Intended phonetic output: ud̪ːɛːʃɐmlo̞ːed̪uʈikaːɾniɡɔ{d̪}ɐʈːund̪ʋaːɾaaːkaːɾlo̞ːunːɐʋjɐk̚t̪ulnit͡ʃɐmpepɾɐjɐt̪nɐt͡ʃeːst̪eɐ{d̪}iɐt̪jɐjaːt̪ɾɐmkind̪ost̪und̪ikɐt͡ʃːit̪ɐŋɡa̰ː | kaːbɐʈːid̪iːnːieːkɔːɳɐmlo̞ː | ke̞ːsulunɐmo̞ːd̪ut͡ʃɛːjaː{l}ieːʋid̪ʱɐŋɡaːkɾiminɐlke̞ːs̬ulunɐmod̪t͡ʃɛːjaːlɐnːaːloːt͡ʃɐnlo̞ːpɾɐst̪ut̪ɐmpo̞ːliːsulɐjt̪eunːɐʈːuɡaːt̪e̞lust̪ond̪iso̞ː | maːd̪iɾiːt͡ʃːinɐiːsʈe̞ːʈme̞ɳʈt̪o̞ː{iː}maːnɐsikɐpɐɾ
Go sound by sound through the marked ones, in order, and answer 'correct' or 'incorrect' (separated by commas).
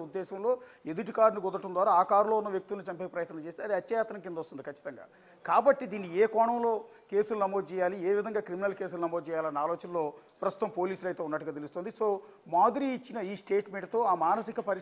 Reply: correct, correct, correct, incorrect